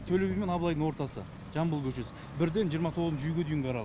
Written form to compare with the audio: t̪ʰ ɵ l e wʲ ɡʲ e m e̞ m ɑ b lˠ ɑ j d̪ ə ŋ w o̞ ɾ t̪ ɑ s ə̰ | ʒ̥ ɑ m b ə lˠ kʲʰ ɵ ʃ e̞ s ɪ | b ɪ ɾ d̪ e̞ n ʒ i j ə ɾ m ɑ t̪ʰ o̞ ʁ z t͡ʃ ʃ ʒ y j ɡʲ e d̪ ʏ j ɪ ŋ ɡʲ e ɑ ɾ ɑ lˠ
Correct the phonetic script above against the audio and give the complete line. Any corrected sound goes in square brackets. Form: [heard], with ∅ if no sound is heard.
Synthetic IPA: t̪ʰ ɵ l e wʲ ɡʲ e m e̞ [n] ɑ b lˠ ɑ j d̪ ə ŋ w o̞ ɾ t̪ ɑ s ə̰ | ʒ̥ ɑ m b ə lˠ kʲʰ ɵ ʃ e̞ s ɪ | b ɪ ɾ d̪ e̞ n ʒ i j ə ɾ m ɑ t̪ʰ o̞ ʁ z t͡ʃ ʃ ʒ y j ɡʲ e d̪ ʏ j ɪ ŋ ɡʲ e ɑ ɾ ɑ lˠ